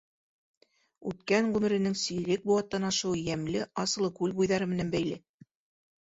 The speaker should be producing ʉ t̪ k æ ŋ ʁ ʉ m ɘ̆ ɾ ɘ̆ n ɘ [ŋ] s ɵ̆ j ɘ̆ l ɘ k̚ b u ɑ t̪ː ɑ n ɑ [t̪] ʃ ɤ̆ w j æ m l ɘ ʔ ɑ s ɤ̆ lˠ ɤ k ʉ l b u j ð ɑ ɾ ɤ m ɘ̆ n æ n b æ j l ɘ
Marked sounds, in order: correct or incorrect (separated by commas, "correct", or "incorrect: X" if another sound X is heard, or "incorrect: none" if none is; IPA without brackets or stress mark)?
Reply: correct, incorrect: none